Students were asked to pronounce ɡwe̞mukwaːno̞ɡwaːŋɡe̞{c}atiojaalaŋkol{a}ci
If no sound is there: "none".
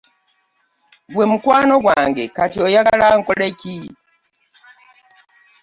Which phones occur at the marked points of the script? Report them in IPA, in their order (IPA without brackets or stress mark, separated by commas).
k, e